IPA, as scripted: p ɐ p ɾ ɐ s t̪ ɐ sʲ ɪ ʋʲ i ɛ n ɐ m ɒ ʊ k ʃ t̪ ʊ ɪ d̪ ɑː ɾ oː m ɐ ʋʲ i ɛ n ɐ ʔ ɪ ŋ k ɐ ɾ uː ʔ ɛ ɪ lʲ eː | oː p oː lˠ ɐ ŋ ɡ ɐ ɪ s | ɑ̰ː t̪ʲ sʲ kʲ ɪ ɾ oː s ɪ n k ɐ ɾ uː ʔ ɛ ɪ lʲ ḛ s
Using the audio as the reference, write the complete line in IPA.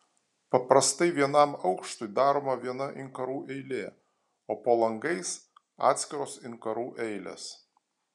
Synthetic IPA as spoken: p ɐ p ɾ ɐ s t̪ ɐ ɪ ʋʲ i ɛ n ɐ m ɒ ʊ k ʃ t̪ ʊ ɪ d̪ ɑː ɾ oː m ɐ ʋʲ i ɛ n ɐ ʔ ɪ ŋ k ɐ ɾ uː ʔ ɛ ɪ lʲ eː | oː p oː lˠ ɐ ŋ ɡ ɐ ɪ s | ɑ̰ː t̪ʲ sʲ kʲ ɪ ɾ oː s ɪ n k ɐ ɾ uː ʔ ɛ ɪ lʲ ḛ s